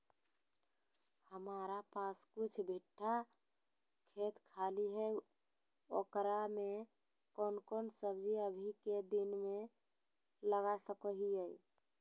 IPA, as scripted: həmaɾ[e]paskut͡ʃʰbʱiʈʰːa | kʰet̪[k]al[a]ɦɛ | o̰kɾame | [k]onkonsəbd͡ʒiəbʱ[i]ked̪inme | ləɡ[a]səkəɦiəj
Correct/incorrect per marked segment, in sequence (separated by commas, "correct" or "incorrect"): incorrect, incorrect, incorrect, correct, correct, correct